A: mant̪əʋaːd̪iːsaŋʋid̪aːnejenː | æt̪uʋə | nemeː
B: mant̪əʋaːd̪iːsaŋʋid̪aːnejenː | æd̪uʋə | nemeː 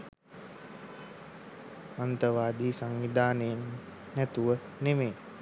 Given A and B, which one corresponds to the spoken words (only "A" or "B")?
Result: A